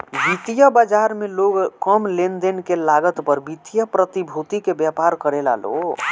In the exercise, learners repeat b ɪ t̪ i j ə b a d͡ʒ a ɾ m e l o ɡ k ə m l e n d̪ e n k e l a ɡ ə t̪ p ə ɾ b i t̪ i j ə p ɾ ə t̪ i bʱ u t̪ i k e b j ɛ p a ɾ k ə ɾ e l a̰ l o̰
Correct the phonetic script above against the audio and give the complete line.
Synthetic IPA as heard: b i t̪ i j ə b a d͡ʒ a ɾ m e l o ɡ k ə m l e n d̪ e n k e l a ɡ ə t̪ p ə ɾ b i t̪ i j ə p ɾ ə t̪ i bʱ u t̪ i k e b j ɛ p a ɾ k ə ɾ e l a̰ l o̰

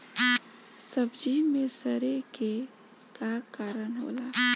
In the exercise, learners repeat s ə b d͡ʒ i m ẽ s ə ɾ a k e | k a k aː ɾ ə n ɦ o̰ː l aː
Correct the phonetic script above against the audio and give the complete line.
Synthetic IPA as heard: s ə b d͡ʒ i m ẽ s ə ɾ e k e | k a k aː ɾ ə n ɦ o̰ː l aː

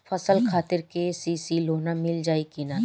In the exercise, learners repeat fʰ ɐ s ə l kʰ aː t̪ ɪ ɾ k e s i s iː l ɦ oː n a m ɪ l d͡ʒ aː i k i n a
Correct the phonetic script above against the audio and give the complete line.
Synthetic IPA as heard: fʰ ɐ s ə l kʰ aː t̪ ɪ ɾ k e s i s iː l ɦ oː n a m ɪ l d͡ʒ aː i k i n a

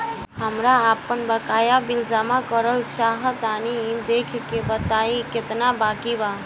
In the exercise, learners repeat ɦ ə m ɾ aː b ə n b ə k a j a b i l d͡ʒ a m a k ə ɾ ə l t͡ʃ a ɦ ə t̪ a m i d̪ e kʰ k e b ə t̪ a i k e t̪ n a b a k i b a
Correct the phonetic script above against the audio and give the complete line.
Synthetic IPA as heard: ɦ ə m ɾ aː p ə n b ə k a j a b i l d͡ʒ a m a k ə ɾ ə l t͡ʃ a ɦ ə t̪ a n i d̪ e kʰ k e b ə t̪ a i k e t̪ n a b a k i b a

